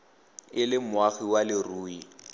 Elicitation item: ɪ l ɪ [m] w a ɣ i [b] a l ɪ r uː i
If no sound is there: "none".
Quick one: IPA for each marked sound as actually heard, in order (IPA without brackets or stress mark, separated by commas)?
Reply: m, w